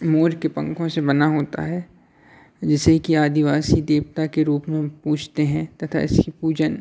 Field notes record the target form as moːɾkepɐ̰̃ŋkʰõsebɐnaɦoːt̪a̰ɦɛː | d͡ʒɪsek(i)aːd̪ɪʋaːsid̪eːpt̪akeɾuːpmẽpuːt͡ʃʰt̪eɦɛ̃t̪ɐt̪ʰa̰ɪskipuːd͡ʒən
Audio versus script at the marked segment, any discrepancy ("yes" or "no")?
no